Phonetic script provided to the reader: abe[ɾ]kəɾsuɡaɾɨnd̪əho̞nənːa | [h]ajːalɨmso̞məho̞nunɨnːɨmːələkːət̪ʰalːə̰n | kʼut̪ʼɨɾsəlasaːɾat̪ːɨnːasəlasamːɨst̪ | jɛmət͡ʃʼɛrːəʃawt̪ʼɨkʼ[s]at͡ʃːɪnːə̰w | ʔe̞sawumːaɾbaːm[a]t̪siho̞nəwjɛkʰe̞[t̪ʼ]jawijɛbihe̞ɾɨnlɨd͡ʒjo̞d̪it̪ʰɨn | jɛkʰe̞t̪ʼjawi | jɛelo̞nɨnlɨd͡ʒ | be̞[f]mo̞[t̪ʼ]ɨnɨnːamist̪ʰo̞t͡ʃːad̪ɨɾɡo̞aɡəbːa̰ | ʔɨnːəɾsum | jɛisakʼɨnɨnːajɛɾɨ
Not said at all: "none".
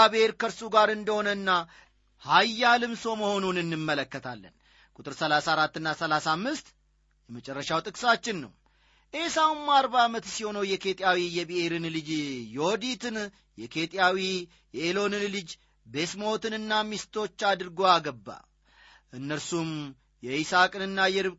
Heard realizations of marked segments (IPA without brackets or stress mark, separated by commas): ɾ, h, s, ə, t̪ʼ, s, t̪